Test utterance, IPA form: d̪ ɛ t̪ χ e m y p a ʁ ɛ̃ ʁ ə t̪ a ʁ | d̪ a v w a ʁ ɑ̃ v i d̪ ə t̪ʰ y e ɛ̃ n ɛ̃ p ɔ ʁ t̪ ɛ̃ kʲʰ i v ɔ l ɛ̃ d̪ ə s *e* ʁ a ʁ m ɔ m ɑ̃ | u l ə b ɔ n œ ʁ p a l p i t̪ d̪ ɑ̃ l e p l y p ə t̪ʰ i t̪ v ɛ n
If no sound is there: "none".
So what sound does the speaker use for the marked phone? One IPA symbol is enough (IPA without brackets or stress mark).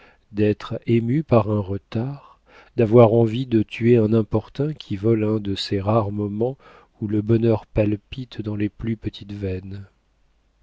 e